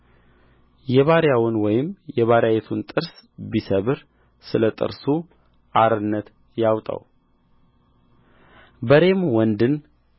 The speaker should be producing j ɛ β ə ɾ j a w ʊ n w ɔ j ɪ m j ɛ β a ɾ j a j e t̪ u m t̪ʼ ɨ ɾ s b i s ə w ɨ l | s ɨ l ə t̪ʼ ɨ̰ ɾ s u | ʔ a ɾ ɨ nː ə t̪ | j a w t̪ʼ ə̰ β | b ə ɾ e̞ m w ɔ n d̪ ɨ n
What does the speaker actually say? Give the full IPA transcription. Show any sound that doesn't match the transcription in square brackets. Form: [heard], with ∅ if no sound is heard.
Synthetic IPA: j ɛ β [a] ɾ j a w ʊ n w ɔ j ɪ m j ɛ β a ɾ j a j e [t̪ʰ] u [n] t̪ʼ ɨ ɾ s b i s ə [β] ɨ [ɾ] | s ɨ l ə t̪ʼ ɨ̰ ɾ s u | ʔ a ɾ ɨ nː ə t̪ | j a w t̪ʼ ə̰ [w] | b ə ɾ e̞ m w ɔ n d̪ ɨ n